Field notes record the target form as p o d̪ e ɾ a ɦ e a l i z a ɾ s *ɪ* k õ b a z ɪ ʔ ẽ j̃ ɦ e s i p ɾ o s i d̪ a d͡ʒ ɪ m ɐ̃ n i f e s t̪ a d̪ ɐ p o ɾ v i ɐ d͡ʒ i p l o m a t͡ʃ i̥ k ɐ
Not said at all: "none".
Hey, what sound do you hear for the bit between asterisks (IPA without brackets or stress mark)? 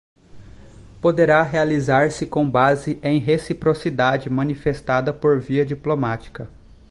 ɪ